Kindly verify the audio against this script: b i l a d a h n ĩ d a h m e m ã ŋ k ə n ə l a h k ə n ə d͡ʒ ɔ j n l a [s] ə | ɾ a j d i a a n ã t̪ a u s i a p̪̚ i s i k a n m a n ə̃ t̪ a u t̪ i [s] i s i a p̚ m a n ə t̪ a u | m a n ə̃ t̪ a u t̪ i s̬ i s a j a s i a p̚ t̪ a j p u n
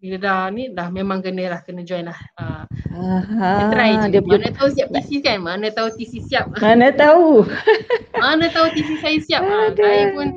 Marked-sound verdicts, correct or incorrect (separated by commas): incorrect, correct